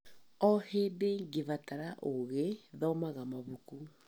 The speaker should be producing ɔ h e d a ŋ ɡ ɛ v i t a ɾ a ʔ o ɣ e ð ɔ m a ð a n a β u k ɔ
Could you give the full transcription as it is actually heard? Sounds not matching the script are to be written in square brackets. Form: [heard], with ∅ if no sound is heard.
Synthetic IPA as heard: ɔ h e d [e] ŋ ɡ [e] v [a] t a ɾ a ʔ o ɣ e ð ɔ m a [ɣ] a [m] a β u k [u]